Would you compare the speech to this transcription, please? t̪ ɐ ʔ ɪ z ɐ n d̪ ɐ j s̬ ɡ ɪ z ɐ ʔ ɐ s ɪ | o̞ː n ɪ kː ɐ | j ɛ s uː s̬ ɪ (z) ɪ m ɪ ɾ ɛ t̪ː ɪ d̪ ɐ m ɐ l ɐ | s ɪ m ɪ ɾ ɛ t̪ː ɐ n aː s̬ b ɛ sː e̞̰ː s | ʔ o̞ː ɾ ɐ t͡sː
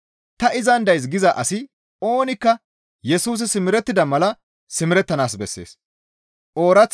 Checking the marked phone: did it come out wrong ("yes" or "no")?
yes